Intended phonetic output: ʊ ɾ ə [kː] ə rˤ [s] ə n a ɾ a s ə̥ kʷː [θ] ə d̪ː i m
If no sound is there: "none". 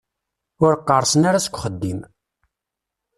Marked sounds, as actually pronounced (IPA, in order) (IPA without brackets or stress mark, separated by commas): qː, s, χ